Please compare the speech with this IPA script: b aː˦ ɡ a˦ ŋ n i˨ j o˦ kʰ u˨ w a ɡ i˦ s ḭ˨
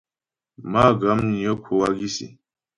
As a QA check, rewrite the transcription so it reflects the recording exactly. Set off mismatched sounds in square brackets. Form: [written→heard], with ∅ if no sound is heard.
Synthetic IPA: [b→m] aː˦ ɡ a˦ [ŋ→m] n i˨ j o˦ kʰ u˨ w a ɡ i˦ s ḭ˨

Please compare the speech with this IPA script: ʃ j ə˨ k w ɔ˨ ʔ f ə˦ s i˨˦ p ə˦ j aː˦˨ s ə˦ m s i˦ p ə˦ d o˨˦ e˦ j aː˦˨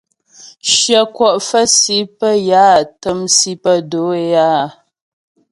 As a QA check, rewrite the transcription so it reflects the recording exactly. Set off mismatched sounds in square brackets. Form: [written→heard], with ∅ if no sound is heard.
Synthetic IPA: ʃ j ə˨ k w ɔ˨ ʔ f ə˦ s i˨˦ p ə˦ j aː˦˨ [s→t] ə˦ m s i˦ p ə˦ d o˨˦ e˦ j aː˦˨

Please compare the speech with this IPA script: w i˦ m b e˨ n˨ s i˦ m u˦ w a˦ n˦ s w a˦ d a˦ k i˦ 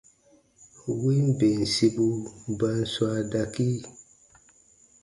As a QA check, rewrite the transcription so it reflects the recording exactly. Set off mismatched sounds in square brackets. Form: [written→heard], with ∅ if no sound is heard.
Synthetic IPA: w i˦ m b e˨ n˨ s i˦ [m→b] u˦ [w→b] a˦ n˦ s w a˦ d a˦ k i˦

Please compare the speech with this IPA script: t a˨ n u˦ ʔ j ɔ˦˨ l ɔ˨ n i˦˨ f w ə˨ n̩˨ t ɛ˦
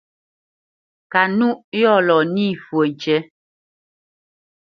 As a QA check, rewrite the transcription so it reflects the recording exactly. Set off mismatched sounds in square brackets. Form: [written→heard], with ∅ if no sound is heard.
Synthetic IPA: [t→k] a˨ n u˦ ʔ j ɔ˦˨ l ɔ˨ n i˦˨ f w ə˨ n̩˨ [t→t͡ʃ] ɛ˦

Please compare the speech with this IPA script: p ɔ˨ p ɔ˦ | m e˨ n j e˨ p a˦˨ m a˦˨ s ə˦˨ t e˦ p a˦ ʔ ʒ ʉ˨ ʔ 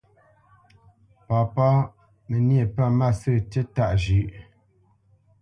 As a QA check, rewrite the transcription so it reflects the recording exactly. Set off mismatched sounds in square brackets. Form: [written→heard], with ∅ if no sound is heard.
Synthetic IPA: p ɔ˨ p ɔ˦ | m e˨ n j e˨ p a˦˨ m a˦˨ s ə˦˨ t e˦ [p→t] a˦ ʔ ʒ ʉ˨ ʔ

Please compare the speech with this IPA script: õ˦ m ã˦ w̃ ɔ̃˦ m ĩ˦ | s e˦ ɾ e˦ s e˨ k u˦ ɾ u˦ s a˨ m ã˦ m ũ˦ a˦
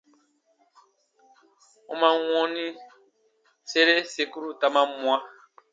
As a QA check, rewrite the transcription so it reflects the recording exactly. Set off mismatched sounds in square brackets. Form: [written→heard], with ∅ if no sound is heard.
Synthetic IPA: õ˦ m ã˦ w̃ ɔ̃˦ [m→n] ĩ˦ | s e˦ ɾ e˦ s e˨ k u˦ ɾ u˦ [s→t] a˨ m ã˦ m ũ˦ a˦

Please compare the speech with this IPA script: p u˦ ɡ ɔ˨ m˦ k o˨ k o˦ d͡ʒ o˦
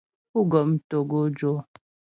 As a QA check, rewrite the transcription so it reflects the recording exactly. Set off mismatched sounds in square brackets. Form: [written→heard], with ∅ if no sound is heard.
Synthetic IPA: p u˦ ɡ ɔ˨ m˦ [k→t] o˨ [k→ɡ] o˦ d͡ʒ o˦

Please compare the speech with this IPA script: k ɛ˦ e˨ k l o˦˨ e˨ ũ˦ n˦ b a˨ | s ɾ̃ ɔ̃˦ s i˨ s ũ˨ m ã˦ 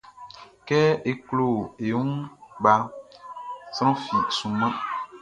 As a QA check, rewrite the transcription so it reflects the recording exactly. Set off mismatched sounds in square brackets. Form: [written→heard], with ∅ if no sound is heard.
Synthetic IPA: k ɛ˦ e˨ k l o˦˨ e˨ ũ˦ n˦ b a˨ | s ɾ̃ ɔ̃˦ [s→f] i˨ s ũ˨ m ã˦

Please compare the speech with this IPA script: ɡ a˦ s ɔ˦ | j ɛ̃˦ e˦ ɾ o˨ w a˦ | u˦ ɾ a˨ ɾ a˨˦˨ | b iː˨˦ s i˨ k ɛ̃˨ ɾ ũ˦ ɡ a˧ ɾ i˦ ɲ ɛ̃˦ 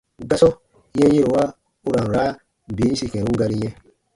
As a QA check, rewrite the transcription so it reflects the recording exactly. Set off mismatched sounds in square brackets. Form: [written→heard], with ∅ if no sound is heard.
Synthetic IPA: ɡ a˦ s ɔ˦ | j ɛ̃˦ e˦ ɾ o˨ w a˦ | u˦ ɾ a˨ ɾ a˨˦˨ | b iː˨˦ s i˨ k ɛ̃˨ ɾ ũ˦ ɡ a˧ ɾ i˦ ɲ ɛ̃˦

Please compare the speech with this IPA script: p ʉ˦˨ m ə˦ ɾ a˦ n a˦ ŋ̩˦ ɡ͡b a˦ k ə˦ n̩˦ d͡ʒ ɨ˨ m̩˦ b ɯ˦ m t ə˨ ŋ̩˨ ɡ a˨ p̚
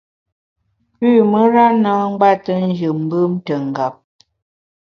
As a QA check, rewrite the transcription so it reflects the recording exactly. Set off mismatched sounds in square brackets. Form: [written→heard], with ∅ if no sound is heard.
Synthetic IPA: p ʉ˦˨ m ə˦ ɾ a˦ n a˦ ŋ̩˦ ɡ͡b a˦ [k→t] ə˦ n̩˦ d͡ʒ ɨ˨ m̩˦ b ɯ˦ m t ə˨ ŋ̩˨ ɡ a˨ p̚

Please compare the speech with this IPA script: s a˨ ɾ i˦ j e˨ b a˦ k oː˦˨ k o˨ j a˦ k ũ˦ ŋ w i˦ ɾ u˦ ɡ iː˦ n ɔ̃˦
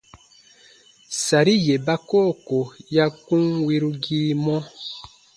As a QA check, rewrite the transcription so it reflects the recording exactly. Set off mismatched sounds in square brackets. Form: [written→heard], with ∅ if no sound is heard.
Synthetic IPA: s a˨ ɾ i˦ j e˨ b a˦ k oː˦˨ k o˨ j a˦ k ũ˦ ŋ w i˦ ɾ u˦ ɡ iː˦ [n→m] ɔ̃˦

